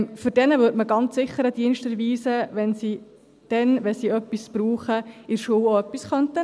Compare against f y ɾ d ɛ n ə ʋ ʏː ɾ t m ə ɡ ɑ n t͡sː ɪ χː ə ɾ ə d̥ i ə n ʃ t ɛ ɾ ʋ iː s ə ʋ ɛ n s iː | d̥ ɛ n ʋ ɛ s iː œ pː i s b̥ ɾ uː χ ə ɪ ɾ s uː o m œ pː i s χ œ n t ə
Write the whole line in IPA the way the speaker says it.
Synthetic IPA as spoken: f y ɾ d ɛ n ə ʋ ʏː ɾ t m ə ɡ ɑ n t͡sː ɪ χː ə ɾ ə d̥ i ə n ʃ t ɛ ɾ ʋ iː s ə ʋ ɛ n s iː | d̥ ɛ n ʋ ɛ s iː œ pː i s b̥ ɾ uː χ ə ɪ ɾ ʃ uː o œ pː i s χ œ n t ə